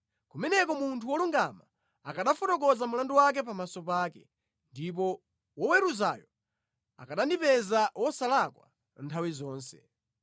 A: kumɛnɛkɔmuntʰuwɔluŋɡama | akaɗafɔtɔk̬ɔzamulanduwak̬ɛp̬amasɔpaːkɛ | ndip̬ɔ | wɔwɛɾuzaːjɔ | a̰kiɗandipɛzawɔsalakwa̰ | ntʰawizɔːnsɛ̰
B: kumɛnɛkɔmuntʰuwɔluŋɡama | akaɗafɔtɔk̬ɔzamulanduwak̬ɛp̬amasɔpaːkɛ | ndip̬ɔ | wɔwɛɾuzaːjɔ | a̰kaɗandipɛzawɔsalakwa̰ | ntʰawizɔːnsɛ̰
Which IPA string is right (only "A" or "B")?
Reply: B